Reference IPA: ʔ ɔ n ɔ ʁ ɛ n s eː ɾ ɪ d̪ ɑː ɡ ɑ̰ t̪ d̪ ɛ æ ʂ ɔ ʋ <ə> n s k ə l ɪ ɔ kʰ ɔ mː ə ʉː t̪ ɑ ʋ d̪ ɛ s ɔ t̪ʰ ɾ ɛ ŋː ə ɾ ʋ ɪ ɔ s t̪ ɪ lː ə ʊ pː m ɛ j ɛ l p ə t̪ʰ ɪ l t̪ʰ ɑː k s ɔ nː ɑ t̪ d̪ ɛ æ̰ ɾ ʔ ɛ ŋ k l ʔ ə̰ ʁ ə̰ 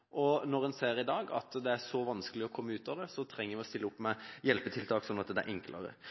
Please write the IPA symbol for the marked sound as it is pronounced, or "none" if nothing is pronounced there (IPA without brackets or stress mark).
ɑ